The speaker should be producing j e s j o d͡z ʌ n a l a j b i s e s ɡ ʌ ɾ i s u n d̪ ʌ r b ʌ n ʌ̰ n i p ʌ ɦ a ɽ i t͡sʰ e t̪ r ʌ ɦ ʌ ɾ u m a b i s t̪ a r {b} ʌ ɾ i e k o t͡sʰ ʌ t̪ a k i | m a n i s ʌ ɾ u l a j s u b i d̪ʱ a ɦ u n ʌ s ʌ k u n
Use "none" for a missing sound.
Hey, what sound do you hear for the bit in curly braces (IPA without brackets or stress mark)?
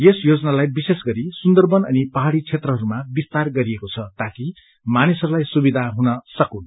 ɡ